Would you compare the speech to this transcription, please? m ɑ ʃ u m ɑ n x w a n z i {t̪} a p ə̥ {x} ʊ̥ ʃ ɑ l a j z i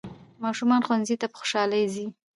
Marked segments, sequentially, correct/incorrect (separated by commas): correct, correct